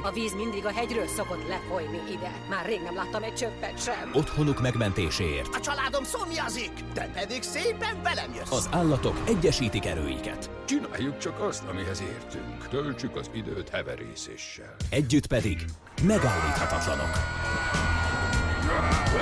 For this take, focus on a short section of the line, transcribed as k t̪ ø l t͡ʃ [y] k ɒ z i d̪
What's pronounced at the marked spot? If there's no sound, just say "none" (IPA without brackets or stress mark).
y